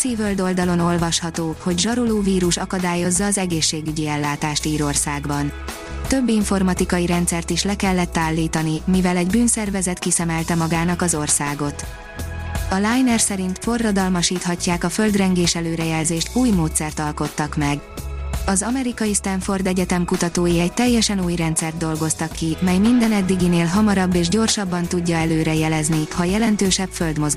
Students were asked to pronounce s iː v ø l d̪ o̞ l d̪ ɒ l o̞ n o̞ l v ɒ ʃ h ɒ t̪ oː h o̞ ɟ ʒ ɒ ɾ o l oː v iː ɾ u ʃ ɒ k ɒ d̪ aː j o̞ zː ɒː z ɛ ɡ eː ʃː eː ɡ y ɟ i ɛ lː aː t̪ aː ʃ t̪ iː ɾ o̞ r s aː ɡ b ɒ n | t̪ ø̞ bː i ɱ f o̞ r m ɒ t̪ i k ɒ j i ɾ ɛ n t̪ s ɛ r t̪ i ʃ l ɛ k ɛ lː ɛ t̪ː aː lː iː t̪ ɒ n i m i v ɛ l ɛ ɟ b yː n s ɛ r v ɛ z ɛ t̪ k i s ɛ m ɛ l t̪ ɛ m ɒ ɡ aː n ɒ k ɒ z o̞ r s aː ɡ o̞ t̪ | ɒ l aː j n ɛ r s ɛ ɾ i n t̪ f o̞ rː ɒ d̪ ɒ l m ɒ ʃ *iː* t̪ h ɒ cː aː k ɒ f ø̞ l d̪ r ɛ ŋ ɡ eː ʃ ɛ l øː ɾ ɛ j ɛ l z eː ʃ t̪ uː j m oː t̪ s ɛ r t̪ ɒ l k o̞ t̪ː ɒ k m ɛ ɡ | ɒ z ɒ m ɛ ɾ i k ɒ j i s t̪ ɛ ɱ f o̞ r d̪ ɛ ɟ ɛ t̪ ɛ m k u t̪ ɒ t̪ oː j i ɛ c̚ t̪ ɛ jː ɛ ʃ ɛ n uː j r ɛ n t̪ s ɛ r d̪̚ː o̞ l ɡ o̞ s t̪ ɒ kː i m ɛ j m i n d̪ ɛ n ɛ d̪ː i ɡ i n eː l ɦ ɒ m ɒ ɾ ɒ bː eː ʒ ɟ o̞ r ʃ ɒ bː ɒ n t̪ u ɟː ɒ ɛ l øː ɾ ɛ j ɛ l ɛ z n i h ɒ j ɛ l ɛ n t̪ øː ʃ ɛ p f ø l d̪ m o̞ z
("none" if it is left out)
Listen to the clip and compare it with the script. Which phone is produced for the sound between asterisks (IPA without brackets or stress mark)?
iː